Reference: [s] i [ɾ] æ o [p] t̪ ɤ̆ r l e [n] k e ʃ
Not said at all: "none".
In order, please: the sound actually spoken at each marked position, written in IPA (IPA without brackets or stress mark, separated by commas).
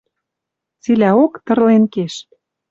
t͡s, l, k, n